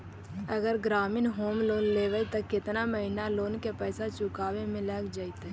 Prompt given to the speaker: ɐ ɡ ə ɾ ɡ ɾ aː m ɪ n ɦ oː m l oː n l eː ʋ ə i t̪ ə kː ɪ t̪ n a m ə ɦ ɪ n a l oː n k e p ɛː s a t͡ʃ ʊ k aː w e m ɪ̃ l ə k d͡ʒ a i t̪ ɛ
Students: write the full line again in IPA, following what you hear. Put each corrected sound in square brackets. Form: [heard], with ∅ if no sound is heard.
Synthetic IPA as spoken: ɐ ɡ ə ɾ ɡ ɾ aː m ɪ n ɦ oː m l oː n l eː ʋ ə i t̪ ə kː ɪ t̪ n a m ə ɦ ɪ n a l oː n k e p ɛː s a t͡ʃ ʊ k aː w e m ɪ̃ l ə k d͡ʒ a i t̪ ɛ